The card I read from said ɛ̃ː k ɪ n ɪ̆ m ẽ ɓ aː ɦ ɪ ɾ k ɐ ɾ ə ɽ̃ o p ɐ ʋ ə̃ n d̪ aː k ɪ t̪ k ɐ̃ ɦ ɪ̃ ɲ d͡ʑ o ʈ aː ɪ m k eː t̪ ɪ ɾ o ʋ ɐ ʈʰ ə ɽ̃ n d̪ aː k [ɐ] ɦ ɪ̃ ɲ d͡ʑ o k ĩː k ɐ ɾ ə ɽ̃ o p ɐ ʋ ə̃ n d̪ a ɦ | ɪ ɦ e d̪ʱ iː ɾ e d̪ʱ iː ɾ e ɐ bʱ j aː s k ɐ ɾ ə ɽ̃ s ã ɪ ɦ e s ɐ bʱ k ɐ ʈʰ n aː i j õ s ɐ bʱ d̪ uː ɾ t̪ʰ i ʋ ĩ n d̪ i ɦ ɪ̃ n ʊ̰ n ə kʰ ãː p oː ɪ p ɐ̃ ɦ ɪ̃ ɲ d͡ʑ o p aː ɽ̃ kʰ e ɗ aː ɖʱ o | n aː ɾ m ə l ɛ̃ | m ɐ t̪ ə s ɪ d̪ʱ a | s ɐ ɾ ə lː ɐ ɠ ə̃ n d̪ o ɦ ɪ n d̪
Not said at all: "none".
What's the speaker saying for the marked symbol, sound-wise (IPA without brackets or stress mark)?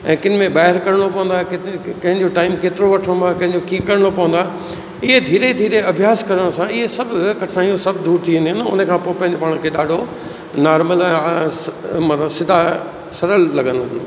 ɐ̃